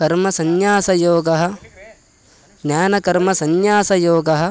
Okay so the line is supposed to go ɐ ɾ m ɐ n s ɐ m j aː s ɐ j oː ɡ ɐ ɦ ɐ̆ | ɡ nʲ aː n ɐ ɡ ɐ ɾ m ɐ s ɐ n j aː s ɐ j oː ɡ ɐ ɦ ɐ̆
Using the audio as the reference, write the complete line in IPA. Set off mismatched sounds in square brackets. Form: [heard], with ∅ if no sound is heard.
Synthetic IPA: ɐ ɾ m ɐ [∅] s ɐ [n] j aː s ɐ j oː ɡ ɐ ɦ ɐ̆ | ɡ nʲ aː n ɐ [k] ɐ ɾ m ɐ s ɐ n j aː s ɐ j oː ɡ ɐ ɦ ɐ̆